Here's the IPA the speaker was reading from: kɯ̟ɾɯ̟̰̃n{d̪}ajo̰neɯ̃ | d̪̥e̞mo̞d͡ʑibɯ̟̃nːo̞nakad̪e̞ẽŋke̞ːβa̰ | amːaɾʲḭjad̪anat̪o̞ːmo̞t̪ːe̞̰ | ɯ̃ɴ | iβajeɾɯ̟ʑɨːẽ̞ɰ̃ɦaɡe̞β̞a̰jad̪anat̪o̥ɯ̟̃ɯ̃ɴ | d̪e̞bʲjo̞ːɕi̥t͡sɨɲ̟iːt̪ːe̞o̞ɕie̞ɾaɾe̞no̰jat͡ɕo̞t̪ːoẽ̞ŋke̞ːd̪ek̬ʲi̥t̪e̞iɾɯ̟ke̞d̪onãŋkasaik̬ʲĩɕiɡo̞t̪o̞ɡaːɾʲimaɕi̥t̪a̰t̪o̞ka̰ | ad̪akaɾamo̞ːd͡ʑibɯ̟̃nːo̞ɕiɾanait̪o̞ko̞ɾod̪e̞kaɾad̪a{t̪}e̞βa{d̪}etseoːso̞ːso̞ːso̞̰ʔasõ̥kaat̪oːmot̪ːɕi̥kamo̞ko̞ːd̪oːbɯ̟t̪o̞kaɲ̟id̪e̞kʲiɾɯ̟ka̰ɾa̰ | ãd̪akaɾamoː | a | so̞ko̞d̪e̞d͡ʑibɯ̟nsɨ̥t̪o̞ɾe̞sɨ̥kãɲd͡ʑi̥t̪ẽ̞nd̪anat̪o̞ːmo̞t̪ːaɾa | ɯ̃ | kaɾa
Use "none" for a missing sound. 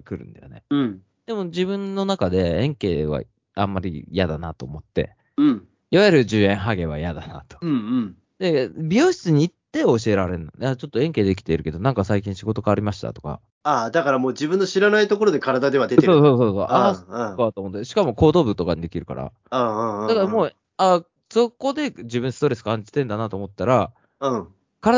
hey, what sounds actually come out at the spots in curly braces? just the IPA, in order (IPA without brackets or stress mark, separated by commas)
d̪, d̪, d̪